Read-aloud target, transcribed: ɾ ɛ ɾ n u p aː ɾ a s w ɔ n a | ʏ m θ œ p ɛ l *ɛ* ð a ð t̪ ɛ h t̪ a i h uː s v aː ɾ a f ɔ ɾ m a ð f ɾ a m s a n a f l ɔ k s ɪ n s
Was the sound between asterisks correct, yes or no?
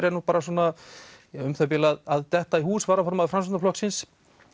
no